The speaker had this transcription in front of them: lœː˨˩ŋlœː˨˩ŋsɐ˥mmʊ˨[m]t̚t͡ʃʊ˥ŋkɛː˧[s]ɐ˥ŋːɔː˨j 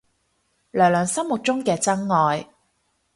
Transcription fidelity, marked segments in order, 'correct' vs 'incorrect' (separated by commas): incorrect, incorrect